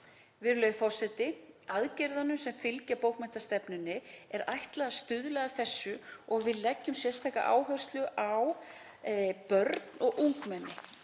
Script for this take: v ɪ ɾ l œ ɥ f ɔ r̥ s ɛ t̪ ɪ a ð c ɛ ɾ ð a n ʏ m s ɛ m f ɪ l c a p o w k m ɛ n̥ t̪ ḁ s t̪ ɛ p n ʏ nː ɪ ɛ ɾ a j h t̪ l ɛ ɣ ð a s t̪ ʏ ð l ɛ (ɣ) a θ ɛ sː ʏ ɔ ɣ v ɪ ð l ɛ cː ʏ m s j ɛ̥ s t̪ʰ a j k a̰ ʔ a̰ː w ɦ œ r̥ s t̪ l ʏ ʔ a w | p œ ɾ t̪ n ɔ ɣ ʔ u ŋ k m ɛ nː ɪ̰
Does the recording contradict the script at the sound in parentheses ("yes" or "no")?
no